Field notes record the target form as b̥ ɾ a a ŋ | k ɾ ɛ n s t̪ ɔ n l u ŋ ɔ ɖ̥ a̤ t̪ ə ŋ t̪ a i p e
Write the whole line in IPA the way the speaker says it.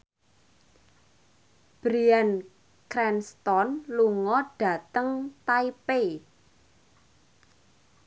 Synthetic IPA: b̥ ɾ i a n | k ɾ ɛ n s t̪ ɔ n l u ŋ ɔ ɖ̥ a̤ t̪ ə ŋ t̪ a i p e